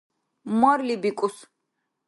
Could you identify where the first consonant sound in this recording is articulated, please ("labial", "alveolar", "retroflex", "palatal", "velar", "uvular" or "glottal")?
labial